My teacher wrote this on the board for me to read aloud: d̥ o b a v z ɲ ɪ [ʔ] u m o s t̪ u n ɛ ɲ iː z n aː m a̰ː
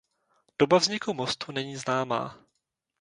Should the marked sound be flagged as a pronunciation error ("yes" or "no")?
yes